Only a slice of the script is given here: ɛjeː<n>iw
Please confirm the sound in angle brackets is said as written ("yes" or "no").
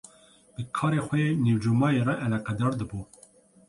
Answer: yes